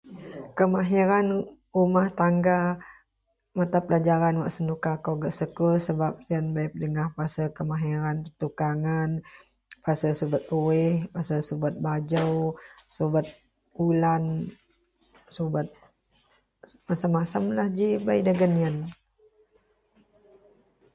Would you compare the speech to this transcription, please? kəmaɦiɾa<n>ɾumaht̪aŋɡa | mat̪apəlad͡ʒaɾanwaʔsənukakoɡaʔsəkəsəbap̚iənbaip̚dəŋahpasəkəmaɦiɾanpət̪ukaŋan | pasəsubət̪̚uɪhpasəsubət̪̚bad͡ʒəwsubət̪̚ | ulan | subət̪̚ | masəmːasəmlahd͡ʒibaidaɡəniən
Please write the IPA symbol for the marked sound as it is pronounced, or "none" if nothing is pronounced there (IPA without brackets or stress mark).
n